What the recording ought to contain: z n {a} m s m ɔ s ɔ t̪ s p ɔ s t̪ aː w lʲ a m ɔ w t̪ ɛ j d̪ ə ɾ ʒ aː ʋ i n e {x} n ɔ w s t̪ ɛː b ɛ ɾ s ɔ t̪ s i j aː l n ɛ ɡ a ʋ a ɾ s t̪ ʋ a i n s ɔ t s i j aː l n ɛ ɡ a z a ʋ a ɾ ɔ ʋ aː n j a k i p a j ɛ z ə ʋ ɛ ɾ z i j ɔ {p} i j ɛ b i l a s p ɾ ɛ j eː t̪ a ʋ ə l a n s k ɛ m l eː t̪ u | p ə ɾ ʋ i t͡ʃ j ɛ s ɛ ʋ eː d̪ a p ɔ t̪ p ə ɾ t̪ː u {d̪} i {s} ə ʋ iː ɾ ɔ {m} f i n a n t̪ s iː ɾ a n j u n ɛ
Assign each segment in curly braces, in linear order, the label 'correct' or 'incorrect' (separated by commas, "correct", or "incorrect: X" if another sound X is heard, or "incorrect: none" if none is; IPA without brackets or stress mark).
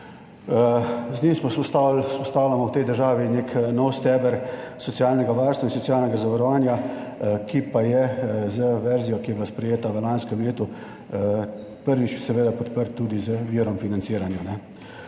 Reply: incorrect: i, incorrect: k, incorrect: k, correct, incorrect: z, correct